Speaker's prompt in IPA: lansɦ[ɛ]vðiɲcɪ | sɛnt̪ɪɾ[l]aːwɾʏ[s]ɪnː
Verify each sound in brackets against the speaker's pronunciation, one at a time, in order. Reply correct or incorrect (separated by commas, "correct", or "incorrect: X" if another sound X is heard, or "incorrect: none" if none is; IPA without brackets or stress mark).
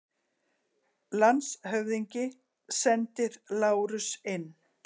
incorrect: œ, correct, correct